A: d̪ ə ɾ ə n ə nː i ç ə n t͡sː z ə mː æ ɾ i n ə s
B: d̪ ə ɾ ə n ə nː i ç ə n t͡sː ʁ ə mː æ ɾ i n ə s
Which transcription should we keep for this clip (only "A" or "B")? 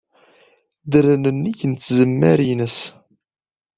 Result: A